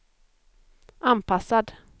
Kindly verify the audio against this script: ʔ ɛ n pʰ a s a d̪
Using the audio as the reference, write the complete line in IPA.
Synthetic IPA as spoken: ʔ a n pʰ a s a d̪